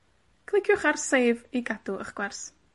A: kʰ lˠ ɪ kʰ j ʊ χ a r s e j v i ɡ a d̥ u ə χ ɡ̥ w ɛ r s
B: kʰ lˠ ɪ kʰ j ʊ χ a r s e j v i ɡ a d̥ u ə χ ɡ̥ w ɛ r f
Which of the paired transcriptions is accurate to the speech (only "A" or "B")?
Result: A